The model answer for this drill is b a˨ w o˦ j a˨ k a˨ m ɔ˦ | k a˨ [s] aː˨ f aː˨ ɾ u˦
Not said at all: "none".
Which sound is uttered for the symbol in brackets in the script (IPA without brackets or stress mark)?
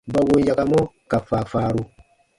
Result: f